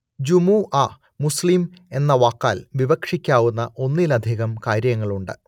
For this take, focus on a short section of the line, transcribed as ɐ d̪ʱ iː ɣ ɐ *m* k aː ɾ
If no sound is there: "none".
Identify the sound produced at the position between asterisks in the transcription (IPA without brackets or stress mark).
m